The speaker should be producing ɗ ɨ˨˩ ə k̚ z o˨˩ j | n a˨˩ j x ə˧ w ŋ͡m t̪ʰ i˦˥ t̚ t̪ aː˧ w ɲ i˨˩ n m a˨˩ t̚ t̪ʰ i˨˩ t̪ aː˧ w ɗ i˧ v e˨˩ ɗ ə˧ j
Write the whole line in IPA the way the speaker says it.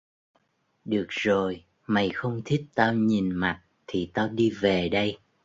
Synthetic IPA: ɗ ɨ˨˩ ə k̚ z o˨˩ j | m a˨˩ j x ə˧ w ŋ͡m t̪ʰ i˦˥ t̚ t̪ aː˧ w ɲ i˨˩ n m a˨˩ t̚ t̪ʰ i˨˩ t̪ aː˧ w ɗ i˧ v e˨˩ ɗ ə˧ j